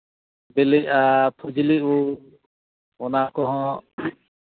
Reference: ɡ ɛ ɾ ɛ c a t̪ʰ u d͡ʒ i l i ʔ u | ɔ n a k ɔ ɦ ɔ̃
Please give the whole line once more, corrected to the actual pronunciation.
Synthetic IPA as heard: b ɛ l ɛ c a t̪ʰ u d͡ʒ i l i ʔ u | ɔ n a k ɔ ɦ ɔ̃